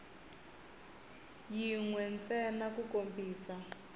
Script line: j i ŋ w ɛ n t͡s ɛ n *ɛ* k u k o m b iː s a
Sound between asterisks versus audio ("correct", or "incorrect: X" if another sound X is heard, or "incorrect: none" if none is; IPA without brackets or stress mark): incorrect: a